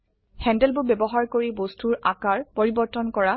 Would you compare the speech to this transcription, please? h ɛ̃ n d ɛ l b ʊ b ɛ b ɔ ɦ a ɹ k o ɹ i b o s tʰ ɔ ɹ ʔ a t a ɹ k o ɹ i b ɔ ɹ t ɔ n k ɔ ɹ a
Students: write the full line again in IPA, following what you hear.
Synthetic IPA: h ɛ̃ n d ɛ l b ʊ b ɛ b ɔ ɦ a ɹ k o ɹ i b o s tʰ u ɹ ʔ a k a ɹ p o ɹ i b ɔ ɹ t ɔ n k ɔ ɹ a